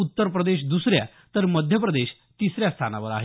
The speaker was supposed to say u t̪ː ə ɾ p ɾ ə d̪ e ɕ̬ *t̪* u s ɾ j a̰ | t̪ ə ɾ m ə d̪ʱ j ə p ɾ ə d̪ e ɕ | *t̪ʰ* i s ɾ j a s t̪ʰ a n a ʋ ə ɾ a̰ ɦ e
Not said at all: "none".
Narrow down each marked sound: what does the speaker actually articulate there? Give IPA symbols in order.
d̪, t̪

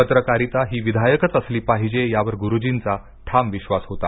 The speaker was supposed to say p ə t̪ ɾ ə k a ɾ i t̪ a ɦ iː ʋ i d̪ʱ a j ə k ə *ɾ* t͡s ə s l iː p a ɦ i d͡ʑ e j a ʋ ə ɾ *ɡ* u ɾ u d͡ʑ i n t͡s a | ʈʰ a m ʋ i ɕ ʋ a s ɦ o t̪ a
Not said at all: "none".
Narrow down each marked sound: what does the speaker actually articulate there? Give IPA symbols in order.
none, ɡ

